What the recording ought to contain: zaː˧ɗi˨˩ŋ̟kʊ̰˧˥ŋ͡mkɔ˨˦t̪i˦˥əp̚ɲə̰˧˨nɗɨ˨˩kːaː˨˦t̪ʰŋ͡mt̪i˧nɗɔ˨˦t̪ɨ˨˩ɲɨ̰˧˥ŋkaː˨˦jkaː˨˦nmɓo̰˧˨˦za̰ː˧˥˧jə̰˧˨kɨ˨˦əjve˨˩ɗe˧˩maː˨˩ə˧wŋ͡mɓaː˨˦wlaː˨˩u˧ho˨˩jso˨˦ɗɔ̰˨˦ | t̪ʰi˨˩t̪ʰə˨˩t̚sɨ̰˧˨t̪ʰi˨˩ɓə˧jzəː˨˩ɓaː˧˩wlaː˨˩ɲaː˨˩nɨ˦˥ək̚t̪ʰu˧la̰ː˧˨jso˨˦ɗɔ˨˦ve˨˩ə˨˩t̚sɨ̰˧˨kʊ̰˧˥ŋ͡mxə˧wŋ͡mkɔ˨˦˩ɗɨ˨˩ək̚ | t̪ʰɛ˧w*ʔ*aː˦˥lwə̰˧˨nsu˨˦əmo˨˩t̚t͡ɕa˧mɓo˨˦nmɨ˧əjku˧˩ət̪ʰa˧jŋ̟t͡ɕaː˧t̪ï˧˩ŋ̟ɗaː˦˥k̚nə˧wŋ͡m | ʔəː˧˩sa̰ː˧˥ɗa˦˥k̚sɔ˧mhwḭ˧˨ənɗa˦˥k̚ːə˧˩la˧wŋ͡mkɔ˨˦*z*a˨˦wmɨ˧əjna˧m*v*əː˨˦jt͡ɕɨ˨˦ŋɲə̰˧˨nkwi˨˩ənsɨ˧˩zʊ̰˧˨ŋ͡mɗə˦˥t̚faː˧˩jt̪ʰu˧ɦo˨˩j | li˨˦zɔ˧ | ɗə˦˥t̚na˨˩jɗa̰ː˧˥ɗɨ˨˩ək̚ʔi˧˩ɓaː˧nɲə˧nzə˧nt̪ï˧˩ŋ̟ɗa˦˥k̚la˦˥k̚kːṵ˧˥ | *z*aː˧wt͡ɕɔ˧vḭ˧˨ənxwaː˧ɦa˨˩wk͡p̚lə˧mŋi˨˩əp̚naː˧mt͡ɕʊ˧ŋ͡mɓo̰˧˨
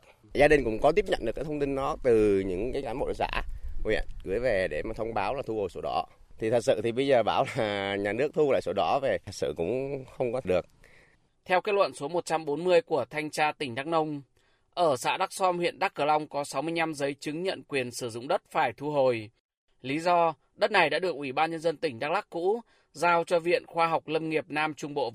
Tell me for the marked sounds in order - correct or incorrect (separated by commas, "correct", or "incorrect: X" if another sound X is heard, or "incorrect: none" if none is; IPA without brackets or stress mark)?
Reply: incorrect: k, incorrect: s, incorrect: z, correct